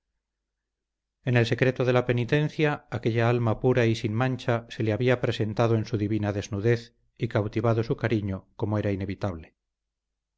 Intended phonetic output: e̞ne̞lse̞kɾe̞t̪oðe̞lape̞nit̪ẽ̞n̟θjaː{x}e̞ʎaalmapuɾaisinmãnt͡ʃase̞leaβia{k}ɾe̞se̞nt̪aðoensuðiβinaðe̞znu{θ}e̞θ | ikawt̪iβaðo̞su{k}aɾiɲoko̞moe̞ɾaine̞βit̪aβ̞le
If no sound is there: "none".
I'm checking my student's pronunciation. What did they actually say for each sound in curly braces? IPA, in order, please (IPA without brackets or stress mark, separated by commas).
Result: k, p, ð, k